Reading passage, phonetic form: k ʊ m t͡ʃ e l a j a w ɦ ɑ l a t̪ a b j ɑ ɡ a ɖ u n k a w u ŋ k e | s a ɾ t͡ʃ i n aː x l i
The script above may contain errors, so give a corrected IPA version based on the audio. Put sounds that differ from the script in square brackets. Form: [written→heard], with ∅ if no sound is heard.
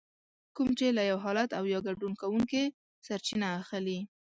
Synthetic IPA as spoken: k [ʊ→u] m t͡ʃ e l a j a w ɦ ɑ l a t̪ a [b→w] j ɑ ɡ a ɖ u n k a w u ŋ k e | s a ɾ t͡ʃ i n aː x l i